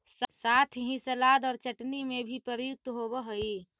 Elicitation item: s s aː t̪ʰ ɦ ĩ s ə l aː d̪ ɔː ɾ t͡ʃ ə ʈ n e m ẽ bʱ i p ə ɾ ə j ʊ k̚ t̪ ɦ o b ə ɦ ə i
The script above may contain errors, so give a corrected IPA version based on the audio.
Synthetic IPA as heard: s s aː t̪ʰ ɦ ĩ s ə l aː d̪ ɔː ɾ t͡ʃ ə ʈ n i m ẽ bʱ i p ə ɾ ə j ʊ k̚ t̪ ɦ o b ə ɦ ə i